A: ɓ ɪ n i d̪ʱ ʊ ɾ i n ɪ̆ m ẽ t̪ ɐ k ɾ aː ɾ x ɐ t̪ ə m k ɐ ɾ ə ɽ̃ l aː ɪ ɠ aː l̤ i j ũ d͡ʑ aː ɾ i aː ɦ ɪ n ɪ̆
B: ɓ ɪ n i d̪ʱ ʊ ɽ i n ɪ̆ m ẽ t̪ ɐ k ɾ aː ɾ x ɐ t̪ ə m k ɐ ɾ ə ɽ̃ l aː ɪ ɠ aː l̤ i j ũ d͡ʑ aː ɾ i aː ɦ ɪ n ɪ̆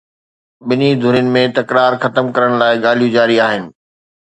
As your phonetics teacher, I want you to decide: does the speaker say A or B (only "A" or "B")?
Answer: A